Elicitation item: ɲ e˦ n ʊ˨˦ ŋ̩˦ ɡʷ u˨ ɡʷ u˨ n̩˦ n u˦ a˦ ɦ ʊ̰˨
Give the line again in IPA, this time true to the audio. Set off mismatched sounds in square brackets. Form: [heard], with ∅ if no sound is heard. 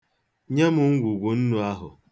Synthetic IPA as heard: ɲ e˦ [m] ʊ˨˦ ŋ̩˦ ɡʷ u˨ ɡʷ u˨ n̩˦ n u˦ a˦ ɦ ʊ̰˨

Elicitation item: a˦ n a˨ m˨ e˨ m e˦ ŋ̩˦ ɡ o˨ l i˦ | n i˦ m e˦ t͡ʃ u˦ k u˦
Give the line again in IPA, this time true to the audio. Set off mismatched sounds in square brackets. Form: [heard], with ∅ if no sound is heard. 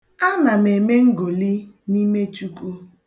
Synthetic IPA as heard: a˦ n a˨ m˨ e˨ m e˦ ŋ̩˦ ɡ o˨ l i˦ | n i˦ m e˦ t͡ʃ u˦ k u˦

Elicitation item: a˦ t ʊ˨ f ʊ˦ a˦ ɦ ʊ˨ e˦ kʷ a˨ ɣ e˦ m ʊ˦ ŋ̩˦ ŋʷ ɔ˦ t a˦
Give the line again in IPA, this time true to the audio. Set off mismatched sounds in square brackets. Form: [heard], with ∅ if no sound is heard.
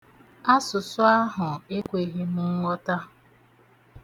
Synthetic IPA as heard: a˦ [s] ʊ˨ [s] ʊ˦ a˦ ɦ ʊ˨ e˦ kʷ [e˨] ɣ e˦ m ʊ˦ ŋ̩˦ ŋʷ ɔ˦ t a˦

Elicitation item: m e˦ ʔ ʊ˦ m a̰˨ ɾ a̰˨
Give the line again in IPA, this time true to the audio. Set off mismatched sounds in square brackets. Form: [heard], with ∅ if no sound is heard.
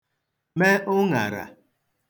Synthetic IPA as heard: m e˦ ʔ ʊ˦ [ŋ] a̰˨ ɾ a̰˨

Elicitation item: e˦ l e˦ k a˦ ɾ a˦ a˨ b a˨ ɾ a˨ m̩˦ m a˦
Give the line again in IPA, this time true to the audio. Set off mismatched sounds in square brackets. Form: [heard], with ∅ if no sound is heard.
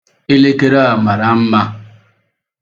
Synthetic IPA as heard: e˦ l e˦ k [e˦] ɾ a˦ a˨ [m] a˨ ɾ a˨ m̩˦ m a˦

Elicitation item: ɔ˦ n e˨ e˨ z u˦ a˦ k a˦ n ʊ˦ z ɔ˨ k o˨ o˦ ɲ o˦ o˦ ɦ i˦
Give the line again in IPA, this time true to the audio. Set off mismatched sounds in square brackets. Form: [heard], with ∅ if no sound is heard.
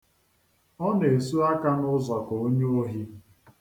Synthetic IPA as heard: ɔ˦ n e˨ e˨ [s] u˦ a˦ k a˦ n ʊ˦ z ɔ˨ k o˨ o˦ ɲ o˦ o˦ ɦ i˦

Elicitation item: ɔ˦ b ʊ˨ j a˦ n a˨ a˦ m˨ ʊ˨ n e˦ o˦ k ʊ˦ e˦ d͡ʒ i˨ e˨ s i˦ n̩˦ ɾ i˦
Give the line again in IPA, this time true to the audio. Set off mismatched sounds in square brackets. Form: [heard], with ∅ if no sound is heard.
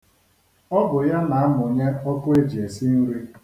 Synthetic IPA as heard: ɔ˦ b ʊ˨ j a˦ n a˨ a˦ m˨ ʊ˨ [ɲ] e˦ [ɔ˦] k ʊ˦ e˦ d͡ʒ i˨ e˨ s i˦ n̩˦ ɾ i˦

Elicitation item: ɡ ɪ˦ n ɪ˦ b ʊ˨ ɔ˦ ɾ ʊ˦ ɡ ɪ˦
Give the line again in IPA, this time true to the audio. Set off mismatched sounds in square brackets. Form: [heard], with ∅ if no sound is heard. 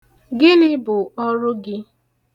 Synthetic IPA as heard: ɡ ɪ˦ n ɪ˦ b ʊ˨ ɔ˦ ɾ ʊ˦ ɡ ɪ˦

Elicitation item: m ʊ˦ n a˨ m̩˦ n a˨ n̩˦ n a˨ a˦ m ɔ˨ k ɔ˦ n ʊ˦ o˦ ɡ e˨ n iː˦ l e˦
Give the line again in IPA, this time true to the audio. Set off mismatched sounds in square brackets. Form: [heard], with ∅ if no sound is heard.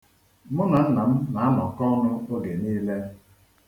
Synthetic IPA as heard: m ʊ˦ n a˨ [n̩˦] n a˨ [m̩˦] n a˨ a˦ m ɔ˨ k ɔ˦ n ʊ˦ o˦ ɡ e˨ n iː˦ l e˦

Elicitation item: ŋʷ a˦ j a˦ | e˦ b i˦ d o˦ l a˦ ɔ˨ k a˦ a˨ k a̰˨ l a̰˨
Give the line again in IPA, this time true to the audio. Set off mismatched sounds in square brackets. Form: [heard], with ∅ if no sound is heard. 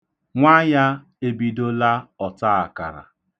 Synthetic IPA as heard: ŋʷ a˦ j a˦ | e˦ b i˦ d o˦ l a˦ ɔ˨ [t] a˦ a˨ k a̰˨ [ɾ] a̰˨

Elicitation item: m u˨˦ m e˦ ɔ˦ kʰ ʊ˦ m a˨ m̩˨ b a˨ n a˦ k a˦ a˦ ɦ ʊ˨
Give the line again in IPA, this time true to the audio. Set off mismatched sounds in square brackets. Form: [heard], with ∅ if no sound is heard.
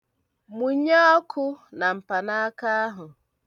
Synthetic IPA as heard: m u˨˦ [ɲ] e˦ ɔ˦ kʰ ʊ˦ [n] a˨ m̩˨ [p] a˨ n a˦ k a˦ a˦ ɦ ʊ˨

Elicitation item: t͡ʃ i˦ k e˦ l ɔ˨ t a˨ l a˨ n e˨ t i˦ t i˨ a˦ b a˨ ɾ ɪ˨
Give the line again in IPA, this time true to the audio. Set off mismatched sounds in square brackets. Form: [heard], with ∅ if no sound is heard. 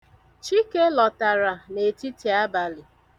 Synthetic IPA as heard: t͡ʃ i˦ k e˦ l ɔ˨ t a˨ [ɾ] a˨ n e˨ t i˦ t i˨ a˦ b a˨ [l] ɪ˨

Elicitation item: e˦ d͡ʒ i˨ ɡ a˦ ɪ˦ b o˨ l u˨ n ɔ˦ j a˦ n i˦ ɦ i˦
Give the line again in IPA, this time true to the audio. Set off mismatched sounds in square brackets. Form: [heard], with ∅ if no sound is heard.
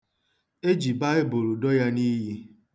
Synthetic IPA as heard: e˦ d͡ʒ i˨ [b] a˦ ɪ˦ b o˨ [ɾ] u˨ [d] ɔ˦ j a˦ n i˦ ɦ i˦

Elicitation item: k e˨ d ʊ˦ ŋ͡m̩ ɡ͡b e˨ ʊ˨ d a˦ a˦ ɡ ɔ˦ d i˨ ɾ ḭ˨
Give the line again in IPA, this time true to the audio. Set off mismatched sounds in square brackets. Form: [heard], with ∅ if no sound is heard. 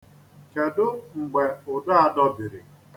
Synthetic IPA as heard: k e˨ d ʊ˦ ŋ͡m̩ ɡ͡b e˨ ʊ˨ d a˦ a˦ [d] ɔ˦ [b] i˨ ɾ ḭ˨

